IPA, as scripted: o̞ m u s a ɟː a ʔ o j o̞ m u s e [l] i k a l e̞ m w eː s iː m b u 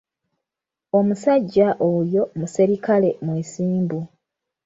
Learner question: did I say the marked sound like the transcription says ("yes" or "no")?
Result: no